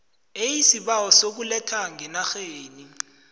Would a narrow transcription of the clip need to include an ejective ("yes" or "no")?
no